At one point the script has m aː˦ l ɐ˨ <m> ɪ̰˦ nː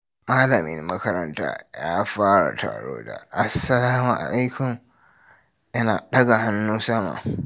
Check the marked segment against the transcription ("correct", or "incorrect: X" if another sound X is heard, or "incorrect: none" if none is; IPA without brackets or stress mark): correct